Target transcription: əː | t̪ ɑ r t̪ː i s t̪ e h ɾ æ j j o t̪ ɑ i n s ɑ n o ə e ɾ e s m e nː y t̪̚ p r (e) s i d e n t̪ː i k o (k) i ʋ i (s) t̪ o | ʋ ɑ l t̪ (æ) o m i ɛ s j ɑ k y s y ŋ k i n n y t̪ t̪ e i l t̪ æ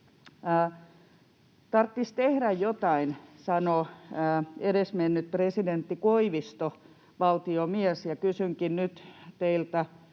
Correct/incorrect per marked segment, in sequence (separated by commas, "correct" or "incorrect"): correct, incorrect, correct, incorrect